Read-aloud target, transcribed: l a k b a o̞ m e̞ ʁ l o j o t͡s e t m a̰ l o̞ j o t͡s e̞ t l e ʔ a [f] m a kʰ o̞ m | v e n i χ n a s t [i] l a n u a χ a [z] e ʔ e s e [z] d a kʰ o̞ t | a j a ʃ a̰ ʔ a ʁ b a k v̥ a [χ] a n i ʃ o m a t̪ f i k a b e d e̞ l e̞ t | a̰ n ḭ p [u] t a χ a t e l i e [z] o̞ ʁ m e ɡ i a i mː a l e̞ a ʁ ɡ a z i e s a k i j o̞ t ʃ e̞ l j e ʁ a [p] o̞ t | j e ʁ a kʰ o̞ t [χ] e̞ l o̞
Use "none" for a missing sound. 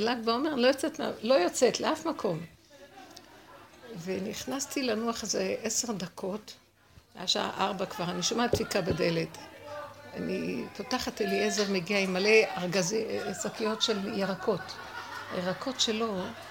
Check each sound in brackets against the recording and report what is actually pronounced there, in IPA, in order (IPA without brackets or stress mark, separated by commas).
f, i, z, ʁ, ʁ, o, z, k, ʃ